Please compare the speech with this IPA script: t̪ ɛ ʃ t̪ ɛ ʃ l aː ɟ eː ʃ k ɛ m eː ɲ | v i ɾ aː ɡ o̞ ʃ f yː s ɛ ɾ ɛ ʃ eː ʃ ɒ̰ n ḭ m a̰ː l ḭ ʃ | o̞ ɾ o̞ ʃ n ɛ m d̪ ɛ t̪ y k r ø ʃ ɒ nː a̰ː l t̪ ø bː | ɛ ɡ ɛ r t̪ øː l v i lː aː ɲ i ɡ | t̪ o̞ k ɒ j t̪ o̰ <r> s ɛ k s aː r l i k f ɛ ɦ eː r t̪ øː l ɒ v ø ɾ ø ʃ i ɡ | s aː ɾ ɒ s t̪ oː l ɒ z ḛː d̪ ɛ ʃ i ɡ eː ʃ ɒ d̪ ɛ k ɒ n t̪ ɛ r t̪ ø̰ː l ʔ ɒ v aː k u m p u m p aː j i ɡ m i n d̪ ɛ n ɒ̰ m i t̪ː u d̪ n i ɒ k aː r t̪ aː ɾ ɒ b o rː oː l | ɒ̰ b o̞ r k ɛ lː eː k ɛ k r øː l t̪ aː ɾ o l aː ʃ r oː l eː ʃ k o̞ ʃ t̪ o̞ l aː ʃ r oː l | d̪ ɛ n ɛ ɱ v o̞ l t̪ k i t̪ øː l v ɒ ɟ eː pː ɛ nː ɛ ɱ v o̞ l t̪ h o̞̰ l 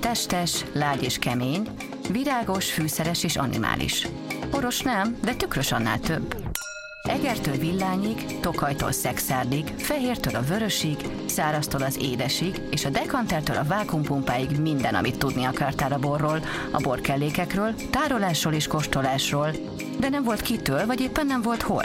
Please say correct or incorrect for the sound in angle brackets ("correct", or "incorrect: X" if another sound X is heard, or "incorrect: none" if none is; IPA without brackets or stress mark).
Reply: incorrect: l